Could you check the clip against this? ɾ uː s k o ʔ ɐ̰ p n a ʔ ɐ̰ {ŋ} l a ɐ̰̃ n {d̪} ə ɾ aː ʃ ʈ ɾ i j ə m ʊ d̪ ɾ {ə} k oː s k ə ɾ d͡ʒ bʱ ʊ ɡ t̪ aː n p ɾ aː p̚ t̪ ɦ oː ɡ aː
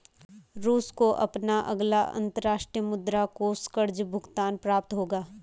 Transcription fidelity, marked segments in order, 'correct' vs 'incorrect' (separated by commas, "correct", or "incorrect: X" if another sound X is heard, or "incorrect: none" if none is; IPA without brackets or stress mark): incorrect: ɡ, incorrect: t̪, incorrect: a